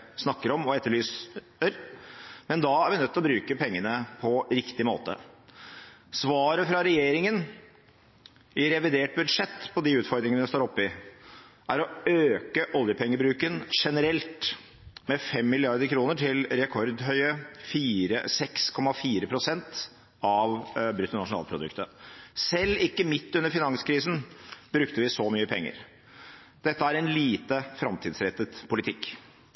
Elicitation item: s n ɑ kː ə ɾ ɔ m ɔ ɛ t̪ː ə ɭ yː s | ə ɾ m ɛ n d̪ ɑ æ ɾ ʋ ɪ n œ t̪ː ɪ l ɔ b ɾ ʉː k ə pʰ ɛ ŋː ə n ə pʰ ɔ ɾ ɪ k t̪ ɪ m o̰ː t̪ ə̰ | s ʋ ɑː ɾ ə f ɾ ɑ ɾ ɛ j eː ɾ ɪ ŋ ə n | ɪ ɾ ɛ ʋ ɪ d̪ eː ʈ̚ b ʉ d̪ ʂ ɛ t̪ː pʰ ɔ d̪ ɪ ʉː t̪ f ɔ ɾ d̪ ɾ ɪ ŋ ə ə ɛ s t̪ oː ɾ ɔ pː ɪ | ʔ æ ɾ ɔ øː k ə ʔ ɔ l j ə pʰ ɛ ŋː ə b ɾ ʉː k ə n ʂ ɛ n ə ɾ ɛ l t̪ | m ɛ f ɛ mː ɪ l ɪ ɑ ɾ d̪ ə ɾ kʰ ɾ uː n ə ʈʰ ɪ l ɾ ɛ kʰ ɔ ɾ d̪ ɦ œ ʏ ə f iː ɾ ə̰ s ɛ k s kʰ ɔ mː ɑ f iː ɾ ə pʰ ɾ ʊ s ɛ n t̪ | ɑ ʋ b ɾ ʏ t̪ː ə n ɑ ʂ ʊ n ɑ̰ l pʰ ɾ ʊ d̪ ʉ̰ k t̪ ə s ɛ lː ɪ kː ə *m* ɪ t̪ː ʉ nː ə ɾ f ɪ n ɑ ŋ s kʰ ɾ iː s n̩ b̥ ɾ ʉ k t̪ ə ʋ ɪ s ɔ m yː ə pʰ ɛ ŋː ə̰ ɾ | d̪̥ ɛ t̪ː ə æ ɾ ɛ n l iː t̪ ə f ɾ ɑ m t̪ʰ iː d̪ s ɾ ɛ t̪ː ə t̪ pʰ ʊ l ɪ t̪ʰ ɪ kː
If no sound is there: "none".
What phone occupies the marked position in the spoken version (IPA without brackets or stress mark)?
m